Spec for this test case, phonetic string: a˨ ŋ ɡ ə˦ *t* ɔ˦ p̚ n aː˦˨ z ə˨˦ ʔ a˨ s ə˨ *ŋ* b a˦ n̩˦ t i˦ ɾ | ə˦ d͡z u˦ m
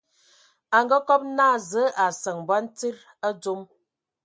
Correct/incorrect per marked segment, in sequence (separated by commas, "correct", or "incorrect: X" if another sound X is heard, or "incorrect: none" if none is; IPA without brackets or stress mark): incorrect: k, correct